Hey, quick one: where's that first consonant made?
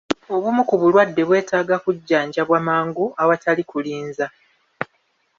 lips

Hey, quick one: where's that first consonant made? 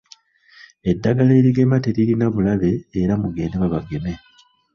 tongue tip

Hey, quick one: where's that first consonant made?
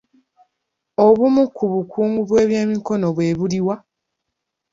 lips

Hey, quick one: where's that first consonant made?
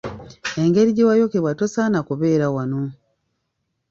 velum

